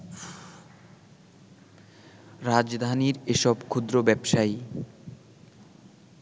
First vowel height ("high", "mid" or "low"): low